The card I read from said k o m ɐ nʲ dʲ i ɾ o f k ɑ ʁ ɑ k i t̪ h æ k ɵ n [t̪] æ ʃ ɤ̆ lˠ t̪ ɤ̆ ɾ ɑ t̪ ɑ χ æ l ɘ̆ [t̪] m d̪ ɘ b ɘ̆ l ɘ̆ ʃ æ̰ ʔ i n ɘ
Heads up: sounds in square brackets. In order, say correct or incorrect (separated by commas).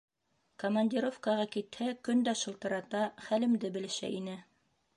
incorrect, incorrect